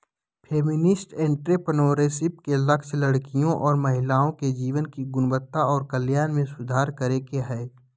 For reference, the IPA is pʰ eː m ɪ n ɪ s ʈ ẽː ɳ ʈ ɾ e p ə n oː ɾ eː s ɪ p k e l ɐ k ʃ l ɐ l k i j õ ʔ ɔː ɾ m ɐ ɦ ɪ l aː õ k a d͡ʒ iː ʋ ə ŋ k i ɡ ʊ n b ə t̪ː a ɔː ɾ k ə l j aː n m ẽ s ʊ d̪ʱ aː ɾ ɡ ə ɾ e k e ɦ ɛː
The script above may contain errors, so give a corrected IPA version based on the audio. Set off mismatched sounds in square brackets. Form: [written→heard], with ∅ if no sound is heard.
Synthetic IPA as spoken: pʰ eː m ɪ n ɪ s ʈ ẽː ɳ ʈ ɾ e p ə n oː ɾ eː s ɪ p k e l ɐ k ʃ l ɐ [l→ɽ] k i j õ ʔ ɔː ɾ m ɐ ɦ ɪ l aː õ k [a→e] d͡ʒ iː ʋ ə [ŋ→n] k i ɡ ʊ n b ə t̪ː a ɔː ɾ k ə l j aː n m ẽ s ʊ d̪ʱ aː ɾ [ɡ→k] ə ɾ e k e ɦ ɛː

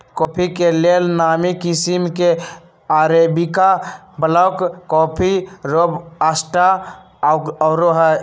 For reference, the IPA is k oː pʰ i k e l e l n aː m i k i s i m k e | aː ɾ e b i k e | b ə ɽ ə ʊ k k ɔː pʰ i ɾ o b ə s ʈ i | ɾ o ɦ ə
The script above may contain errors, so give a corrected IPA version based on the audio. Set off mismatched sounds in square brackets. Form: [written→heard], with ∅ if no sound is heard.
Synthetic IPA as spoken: k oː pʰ i k e l e l n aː m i k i s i m k e | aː ɾ e b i k [e→a] | b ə [ɽ→l] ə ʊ k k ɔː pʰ i ɾ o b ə s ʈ [i→a] | ɾ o ɦ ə

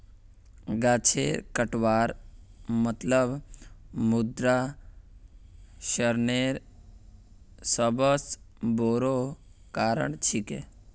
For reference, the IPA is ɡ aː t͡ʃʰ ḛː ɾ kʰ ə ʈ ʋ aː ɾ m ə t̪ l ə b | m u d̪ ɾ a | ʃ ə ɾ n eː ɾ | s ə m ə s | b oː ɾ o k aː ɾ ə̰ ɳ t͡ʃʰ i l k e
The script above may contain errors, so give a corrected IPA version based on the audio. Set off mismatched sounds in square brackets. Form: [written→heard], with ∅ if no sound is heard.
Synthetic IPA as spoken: ɡ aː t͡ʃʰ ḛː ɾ [kʰ→k] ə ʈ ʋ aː ɾ m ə t̪ l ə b | m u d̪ ɾ a | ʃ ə ɾ n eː ɾ | s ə [m→b] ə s | b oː ɾ o k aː ɾ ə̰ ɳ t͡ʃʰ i [l→∅] k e

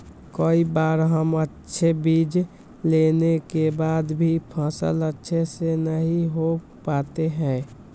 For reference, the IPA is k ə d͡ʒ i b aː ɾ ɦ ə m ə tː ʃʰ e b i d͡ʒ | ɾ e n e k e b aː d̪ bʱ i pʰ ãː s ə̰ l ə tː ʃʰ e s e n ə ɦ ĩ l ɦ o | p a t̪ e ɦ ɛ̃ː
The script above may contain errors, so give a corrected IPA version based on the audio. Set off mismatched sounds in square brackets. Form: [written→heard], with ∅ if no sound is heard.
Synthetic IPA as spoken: k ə [d͡ʒ→∅] i b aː ɾ ɦ ə m ə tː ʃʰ e b i d͡ʒ | [ɾ→l] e n e k e b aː d̪ bʱ i pʰ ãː s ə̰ l ə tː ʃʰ e s e n ə ɦ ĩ [l→∅] ɦ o | p a t̪ e ɦ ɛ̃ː

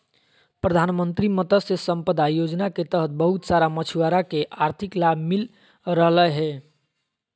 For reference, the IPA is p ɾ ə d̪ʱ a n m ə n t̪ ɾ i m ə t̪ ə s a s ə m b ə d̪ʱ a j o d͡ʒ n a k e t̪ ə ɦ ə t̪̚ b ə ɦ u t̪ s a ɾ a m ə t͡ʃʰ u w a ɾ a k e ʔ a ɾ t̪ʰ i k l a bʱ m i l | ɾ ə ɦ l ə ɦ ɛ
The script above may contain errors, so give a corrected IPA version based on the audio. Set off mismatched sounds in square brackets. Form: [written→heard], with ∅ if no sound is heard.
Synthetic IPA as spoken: p ɾ ə d̪ʱ a n m ə n t̪ ɾ i m ə t̪ ə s [a→e] s ə m [b→p] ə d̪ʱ a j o d͡ʒ n a k e t̪ ə ɦ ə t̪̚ b ə ɦ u t̪ s a ɾ a m ə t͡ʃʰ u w a ɾ a k e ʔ a ɾ t̪ʰ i k l a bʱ m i l | ɾ ə ɦ l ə ɦ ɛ

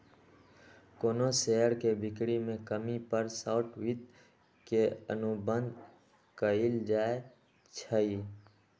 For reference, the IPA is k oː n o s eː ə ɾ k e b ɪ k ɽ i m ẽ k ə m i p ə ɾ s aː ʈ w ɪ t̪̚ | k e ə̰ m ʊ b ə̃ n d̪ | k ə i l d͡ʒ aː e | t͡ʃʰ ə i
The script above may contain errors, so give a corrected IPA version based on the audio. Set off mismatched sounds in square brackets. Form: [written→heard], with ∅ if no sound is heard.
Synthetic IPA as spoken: k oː n o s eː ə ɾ k e b ɪ k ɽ i m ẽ k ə m i p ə ɾ s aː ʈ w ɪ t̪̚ | k e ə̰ [m→n] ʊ b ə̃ n d̪ | k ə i l d͡ʒ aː e | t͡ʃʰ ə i

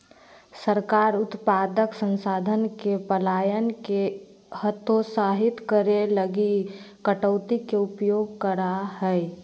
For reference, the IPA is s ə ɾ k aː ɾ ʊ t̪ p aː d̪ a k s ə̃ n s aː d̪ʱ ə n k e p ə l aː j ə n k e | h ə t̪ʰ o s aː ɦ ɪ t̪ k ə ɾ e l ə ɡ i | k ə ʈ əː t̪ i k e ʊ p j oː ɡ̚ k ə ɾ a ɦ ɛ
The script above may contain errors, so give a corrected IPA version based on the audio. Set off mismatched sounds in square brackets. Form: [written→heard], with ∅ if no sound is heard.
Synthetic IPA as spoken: s ə ɾ k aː ɾ ʊ t̪ p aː d̪ [a→ə] k s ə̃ n s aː d̪ʱ ə n k e p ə l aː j ə n k e | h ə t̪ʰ o s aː ɦ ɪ t̪ k ə ɾ e l ə ɡ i | k ə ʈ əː t̪ i k e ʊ p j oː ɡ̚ k ə ɾ a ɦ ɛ

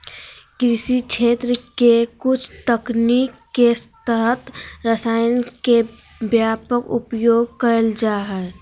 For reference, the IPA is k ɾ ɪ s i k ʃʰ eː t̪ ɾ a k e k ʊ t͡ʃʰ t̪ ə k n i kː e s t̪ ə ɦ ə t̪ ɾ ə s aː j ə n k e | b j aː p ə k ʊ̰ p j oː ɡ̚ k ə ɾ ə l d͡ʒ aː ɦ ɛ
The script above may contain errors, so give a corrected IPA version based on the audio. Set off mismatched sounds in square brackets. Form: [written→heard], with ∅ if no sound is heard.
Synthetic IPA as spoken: k ɾ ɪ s i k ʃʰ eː t̪ ɾ [a→ə] k e k ʊ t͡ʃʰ t̪ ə k n i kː e s t̪ ə ɦ ə t̪ ɾ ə s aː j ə n k e | b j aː p ə k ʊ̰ p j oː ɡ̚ k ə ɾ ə l d͡ʒ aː ɦ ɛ

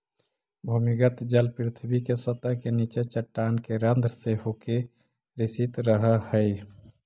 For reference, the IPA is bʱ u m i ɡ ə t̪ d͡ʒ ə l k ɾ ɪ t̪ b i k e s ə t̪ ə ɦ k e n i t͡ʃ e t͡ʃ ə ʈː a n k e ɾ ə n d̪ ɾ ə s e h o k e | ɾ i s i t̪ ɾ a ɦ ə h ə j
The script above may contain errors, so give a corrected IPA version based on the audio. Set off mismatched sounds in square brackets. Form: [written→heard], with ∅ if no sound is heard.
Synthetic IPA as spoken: bʱ u m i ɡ ə t̪ d͡ʒ ə l [k→p] ɾ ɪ [t̪→t̪ʰ] b i k e s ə t̪ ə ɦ k e n i t͡ʃ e t͡ʃ ə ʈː a n k e ɾ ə n d̪ ɾ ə s e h o k e | ɾ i s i t̪ ɾ [a→ə] ɦ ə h ə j

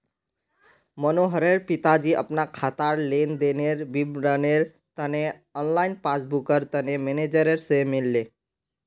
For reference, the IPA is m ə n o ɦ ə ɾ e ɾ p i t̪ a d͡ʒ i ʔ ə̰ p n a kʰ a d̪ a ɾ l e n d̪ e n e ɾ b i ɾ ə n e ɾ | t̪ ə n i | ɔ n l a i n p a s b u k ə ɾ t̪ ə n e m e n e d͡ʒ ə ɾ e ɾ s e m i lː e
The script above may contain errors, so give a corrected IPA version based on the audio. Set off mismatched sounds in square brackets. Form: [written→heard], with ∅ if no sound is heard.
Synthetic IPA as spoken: m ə n o ɦ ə ɾ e ɾ p i t̪ a d͡ʒ i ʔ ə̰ p n a kʰ a [d̪→t̪] a ɾ l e n d̪ e n e ɾ b i ɾ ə n e ɾ | t̪ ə n [i→e] | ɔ n l a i n p a s b u k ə ɾ t̪ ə n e m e n e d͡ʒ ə ɾ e ɾ s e m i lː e

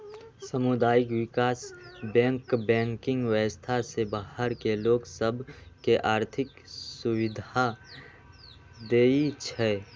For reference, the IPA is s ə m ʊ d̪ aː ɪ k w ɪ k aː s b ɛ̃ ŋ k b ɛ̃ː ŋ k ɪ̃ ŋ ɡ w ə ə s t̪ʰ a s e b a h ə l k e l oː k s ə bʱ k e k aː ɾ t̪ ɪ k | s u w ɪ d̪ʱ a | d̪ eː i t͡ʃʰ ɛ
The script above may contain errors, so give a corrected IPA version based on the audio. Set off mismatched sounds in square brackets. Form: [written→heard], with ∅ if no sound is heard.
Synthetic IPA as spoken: s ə m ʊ d̪ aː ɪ k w ɪ k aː s b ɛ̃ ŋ k b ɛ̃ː ŋ k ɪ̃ ŋ ɡ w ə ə s t̪ʰ a s e b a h ə [l→ɾ] k e l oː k s ə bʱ k e [k→ʔ] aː ɾ [t̪→t̪ʰ] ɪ k | s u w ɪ d̪ʱ a | d̪ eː i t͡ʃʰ ɛ

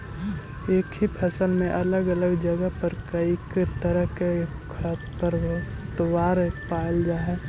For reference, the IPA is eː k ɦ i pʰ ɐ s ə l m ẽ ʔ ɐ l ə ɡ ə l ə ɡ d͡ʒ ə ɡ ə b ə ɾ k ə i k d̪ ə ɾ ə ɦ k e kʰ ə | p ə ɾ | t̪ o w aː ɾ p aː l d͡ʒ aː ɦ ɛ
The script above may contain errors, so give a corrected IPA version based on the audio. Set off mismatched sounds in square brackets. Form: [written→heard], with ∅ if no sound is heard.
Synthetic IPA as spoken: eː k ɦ i pʰ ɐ s ə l m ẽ ʔ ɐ l ə ɡ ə l ə ɡ d͡ʒ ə ɡ ə [b→p] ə ɾ k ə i k [d̪→t̪] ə ɾ ə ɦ k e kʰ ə | p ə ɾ | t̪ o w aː ɾ p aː l d͡ʒ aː ɦ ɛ

